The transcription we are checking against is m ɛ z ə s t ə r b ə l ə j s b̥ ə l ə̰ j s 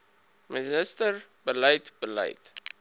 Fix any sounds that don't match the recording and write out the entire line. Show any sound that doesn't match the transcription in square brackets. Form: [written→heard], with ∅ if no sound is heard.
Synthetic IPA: m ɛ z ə s t ə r b ə l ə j [s→t] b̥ ə l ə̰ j [s→t]